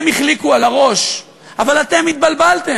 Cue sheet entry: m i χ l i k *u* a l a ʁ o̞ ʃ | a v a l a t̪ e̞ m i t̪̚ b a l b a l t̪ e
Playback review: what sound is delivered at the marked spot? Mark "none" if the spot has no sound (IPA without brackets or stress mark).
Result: u